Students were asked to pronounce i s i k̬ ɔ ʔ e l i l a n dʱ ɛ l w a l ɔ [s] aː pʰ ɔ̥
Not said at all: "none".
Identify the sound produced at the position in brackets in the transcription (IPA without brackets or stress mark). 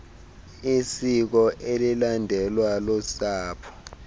s